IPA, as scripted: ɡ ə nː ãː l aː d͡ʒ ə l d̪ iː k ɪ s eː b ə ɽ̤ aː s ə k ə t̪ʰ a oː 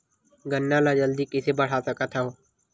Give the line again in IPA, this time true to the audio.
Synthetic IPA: ɡ ə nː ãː l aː d͡ʒ ə l d̪ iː k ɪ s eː b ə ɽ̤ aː s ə k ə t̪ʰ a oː